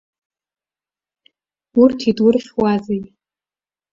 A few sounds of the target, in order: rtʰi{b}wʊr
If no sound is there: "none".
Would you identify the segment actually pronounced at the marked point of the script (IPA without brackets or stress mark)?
d